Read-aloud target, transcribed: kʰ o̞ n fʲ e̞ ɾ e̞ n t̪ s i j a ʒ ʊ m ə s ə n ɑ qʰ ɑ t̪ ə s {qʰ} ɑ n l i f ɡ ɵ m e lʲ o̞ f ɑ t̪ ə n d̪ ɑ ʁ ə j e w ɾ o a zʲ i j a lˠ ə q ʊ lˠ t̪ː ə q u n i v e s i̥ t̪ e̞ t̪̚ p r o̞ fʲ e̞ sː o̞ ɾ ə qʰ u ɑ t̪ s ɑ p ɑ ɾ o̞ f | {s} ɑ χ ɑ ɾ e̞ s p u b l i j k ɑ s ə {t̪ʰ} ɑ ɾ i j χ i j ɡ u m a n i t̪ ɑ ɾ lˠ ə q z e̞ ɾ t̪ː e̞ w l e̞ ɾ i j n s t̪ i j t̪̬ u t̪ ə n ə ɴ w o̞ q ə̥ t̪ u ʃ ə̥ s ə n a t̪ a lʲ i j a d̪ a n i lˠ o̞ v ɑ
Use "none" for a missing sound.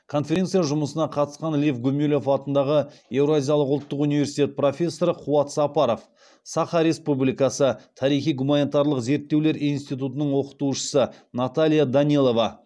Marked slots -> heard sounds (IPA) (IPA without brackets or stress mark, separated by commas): q, s, t̪ʰ